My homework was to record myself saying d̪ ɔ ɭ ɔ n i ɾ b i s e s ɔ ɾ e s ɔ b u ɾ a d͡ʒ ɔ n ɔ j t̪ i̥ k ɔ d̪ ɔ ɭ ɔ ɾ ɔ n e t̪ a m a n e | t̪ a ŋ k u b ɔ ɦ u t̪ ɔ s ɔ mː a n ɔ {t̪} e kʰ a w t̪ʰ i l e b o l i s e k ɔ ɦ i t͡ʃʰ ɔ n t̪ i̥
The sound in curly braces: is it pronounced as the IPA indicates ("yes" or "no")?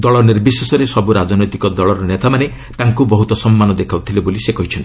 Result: no